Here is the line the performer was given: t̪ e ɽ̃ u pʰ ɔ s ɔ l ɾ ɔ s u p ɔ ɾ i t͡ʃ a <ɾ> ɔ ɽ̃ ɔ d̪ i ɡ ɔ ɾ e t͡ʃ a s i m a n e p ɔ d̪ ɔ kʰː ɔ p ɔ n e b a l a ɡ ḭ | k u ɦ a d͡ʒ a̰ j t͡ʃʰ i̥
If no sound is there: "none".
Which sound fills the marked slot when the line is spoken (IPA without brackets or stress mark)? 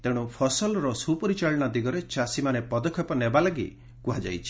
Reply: ɭ